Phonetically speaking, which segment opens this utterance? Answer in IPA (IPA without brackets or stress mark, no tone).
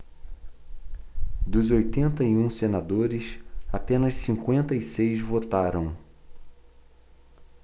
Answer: d̪